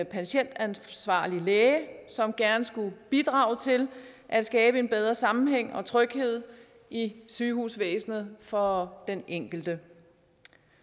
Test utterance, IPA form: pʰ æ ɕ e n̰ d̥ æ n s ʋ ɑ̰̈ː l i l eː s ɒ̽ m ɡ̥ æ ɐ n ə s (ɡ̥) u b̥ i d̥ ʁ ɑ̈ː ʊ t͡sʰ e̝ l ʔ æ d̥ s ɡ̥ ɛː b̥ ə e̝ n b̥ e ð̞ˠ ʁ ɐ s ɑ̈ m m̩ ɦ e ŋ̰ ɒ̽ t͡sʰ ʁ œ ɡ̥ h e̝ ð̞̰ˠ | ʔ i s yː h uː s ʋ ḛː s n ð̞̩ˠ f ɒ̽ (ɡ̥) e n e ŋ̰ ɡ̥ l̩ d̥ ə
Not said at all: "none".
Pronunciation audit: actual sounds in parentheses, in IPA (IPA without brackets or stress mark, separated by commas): ɡ̥, d̥